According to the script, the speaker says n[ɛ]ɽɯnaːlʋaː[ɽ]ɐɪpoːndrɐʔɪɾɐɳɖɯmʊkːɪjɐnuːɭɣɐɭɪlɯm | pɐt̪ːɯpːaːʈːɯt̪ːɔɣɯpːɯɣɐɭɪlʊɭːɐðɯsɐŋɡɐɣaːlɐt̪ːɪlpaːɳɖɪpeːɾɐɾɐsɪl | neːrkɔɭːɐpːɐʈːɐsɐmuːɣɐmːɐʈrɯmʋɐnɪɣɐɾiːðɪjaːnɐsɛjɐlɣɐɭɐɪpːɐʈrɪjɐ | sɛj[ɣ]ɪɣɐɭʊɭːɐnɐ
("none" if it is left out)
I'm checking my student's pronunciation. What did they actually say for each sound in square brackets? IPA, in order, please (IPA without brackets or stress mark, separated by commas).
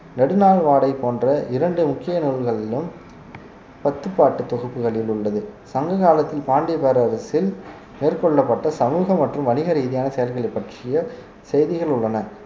ɛ, ɽ, ð